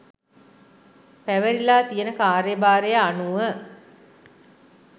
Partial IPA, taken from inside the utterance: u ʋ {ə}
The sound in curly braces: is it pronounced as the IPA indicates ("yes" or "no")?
yes